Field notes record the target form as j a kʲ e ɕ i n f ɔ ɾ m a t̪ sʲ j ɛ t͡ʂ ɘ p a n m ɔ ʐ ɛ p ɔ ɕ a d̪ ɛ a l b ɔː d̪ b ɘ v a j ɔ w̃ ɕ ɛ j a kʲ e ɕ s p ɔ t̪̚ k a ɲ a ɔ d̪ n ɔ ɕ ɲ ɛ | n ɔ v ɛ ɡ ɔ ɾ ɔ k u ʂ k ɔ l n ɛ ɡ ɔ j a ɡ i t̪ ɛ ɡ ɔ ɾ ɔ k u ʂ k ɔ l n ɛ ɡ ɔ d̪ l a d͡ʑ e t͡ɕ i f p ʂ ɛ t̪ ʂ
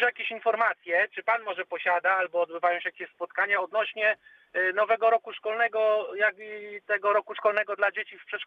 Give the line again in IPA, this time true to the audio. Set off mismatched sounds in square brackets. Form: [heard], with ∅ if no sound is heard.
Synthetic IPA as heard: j a kʲ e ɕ i n f ɔ ɾ m a t̪ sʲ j ɛ t͡ʂ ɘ p a n m ɔ ʐ ɛ p ɔ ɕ a d̪ [a] a l b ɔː d̪ b ɘ v a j ɔ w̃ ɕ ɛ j a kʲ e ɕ s p ɔ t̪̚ k a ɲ a ɔ d̪ n ɔ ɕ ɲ ɛ | n ɔ v ɛ ɡ ɔ ɾ ɔ k u ʂ k ɔ l n ɛ ɡ ɔ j a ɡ i t̪ ɛ ɡ ɔ ɾ ɔ k u ʂ k ɔ l n ɛ ɡ ɔ d̪ l a d͡ʑ e t͡ɕ i f p ʂ ɛ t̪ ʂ